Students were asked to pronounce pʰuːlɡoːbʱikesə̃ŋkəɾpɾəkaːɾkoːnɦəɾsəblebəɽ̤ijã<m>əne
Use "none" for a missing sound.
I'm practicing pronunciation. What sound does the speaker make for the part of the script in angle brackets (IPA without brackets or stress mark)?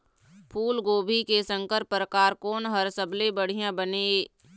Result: b